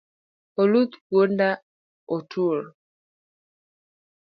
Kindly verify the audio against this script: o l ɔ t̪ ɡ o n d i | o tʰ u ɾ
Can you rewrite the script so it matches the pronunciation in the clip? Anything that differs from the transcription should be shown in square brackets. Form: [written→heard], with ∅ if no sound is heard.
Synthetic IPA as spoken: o l [ɔ→u] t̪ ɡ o n d [i→a] | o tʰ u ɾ

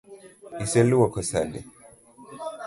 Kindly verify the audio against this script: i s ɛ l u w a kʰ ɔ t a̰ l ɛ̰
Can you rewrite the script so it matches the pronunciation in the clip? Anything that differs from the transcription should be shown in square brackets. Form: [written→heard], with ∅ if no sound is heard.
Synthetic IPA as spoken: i s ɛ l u w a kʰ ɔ [t→s] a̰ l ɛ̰

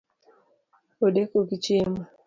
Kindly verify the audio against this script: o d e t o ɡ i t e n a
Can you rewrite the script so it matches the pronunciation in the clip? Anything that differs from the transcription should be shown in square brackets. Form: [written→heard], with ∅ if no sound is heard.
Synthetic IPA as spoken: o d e [t→k] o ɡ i [t→t͡ʃ] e [n→m] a

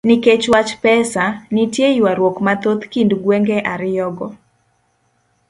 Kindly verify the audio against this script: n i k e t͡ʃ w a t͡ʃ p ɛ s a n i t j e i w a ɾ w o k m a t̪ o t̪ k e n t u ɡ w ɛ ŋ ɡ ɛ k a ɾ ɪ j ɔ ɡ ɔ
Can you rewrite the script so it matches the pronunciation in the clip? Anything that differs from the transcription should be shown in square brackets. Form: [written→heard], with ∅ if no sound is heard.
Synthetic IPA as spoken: n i k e t͡ʃ w a t͡ʃ p ɛ s a n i t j e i w a ɾ w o k m a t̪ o t̪ k [e→i] n [t→d] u ɡ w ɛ ŋ ɡ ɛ [k→ʔ] a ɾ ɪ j ɔ ɡ ɔ

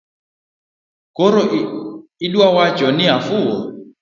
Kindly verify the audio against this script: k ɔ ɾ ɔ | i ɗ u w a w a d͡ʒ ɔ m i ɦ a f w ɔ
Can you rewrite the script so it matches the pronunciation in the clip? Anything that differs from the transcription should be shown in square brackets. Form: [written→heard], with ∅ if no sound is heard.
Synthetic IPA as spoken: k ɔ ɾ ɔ | i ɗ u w a w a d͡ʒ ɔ [m→n] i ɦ a f [w→u] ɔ

